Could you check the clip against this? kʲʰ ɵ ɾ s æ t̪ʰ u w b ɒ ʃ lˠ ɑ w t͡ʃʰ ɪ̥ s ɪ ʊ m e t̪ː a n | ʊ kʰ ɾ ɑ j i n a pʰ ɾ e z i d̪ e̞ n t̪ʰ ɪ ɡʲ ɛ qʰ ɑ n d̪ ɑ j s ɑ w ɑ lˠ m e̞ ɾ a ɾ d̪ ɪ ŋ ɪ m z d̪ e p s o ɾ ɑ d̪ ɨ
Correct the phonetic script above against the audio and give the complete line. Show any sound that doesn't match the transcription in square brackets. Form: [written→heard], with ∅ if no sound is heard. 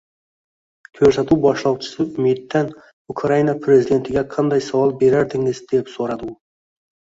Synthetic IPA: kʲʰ ɵ ɾ s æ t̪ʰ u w b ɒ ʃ lˠ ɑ w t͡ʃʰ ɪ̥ s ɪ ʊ m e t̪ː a n | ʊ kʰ ɾ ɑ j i n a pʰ ɾ e z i d̪ e̞ n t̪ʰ ɪ ɡʲ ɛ qʰ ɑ n d̪ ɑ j s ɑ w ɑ lˠ [m→b] e̞ ɾ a ɾ d̪ ɪ ŋ ɪ [m→∅] z d̪ e p s o ɾ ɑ d̪ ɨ